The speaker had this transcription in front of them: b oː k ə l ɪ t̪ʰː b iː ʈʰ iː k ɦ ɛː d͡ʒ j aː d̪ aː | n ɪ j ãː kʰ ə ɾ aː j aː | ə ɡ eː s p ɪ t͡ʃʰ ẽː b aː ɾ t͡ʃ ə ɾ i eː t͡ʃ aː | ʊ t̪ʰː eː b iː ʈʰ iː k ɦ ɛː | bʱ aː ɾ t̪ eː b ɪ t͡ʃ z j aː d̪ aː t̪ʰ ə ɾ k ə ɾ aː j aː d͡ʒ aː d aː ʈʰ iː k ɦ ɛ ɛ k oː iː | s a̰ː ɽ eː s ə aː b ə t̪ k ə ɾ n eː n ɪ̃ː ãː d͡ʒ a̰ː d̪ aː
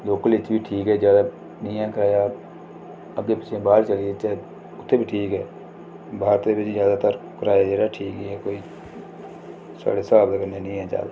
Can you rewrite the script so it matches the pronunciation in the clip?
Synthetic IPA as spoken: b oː k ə l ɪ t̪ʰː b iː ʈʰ iː k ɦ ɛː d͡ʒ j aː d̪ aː | n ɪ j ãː k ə ɾ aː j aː | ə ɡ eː p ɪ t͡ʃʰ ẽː b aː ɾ t͡ʃ ə l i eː t͡ʃ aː | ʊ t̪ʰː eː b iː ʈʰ iː k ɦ ɛː | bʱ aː ɾ t̪ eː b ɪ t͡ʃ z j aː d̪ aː t̪ ə ɾ k ə ɾ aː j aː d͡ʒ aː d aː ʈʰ iː k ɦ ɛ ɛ k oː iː | s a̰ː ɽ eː s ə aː b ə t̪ k ə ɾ n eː n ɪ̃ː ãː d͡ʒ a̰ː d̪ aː